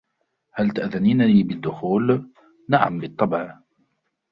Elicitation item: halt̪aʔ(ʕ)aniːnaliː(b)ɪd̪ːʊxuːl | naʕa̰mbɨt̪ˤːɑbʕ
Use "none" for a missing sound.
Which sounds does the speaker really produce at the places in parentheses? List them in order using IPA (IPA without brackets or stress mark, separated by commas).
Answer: ð, b